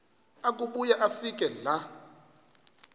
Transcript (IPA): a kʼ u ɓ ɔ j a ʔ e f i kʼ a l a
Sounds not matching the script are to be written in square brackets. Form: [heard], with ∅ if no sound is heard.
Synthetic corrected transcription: a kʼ u ɓ [u] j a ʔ [a] f i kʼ [ɛ] l a